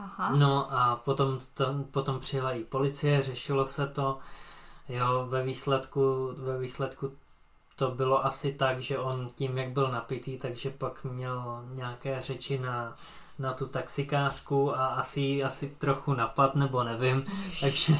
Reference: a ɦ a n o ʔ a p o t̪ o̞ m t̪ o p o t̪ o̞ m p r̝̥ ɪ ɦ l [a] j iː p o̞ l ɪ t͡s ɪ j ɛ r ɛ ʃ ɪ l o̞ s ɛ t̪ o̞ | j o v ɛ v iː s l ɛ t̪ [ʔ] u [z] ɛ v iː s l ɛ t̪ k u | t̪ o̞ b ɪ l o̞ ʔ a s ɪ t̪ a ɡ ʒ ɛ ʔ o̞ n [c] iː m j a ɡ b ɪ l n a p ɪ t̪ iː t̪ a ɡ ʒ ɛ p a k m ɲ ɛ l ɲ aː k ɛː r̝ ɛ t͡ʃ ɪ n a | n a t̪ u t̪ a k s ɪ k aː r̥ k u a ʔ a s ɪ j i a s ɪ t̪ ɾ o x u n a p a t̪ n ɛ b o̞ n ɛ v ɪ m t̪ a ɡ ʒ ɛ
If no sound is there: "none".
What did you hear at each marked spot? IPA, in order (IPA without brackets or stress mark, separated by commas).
a, k, v, c